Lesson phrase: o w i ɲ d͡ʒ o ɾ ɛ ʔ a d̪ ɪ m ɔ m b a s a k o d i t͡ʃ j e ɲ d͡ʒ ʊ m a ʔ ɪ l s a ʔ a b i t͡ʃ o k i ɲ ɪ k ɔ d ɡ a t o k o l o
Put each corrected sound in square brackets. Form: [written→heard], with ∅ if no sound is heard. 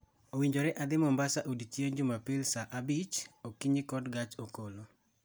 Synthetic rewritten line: o w i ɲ d͡ʒ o ɾ ɛ ʔ a d̪ ɪ m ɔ m b a s a [k→ʔ] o d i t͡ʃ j e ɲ d͡ʒ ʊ m a [ʔ→p] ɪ l s a ʔ a b i t͡ʃ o k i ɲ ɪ k ɔ d ɡ a [t→t͡ʃ] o k o l o